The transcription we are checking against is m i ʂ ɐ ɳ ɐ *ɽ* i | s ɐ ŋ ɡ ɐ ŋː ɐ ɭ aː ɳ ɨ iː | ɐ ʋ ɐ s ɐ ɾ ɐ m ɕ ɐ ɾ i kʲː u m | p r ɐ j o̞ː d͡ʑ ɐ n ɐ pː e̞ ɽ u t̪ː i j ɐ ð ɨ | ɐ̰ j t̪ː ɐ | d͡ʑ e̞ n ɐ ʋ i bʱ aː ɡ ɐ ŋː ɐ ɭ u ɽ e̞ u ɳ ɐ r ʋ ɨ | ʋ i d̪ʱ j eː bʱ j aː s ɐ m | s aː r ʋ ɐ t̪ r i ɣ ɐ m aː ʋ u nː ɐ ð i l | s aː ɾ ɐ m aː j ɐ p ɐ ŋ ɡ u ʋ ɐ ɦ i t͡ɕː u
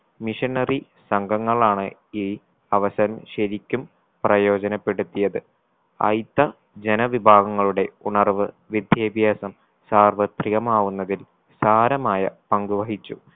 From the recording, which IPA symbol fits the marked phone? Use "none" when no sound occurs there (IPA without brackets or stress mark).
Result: r